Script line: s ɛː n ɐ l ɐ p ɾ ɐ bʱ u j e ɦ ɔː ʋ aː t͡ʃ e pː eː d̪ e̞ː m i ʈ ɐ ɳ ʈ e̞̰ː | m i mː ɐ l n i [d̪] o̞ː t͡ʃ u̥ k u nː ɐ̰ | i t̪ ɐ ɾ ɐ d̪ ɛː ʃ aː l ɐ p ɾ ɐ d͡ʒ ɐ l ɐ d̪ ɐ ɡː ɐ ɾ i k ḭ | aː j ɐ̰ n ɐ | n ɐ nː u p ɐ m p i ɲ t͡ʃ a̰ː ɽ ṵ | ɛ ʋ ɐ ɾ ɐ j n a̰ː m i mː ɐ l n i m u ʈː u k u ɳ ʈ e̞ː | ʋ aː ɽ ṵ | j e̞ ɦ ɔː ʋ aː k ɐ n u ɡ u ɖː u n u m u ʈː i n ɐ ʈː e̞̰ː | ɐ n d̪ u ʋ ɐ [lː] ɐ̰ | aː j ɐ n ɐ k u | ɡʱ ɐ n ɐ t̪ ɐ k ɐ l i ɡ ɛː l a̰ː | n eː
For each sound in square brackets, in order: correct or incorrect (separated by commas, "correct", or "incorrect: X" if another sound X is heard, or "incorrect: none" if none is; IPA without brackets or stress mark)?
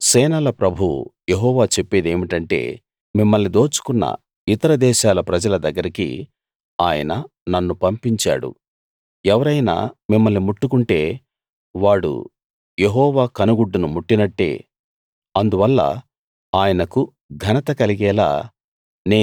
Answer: correct, correct